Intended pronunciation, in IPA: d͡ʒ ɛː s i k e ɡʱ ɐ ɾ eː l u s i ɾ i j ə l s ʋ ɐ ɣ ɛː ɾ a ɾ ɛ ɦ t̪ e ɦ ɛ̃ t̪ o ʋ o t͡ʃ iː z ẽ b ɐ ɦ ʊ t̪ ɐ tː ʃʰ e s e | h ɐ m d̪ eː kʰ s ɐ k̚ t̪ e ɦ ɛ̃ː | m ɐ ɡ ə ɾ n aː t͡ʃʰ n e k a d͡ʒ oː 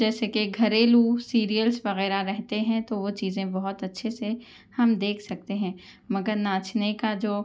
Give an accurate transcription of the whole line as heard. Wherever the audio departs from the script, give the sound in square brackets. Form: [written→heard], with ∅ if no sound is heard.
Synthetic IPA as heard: d͡ʒ ɛː s [i→e] k e ɡʱ ɐ ɾ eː l u s [i→iː] ɾ i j ə l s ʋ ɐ ɣ ɛː ɾ a ɾ ɛ ɦ t̪ e ɦ ɛ̃ t̪ o ʋ o t͡ʃ iː z ẽ b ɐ ɦ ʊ t̪ ɐ tː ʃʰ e s e | h ɐ m d̪ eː kʰ s ɐ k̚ t̪ e ɦ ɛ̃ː | m ɐ ɡ ə ɾ n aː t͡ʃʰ n e k a d͡ʒ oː